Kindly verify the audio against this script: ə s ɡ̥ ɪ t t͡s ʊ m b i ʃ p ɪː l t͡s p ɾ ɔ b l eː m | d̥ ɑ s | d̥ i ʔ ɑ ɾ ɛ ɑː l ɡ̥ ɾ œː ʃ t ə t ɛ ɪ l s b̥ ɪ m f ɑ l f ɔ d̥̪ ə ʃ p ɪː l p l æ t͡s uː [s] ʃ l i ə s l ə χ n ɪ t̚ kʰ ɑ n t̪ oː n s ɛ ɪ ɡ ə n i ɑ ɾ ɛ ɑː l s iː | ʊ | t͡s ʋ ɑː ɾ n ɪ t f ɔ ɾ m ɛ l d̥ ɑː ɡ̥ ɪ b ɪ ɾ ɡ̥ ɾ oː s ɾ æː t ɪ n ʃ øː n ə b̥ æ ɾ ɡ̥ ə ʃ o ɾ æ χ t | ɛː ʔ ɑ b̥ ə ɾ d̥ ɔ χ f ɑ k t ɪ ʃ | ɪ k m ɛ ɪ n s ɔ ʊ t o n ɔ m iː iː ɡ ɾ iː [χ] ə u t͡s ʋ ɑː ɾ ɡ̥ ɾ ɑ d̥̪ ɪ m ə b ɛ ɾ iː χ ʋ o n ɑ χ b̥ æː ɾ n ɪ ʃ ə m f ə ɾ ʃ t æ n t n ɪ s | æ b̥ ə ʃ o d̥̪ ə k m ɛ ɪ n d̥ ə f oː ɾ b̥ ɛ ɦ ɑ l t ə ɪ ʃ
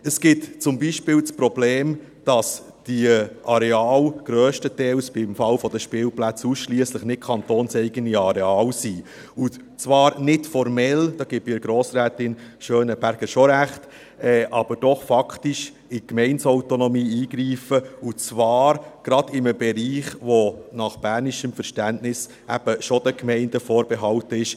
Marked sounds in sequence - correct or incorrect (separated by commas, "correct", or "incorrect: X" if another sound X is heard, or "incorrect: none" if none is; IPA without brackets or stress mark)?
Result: correct, incorrect: f